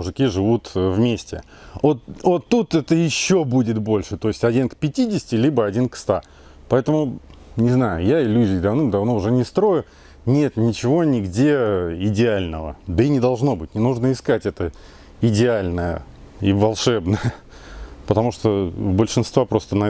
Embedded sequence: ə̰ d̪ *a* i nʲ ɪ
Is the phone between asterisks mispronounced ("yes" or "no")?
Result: yes